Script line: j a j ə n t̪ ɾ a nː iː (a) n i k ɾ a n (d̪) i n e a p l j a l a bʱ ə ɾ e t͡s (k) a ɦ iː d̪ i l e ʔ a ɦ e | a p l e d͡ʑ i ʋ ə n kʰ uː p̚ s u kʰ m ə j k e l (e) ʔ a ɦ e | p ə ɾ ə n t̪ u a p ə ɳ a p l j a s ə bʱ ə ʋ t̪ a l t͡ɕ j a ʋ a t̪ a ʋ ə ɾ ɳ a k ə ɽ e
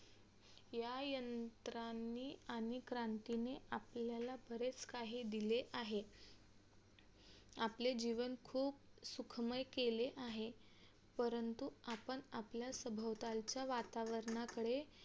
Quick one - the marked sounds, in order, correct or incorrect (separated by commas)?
correct, incorrect, correct, correct